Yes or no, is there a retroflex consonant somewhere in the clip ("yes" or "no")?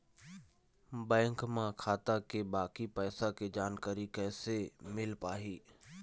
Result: no